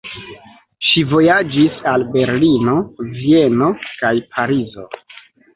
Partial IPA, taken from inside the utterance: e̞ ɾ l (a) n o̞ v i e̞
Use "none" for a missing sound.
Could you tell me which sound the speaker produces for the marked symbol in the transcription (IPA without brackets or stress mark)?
i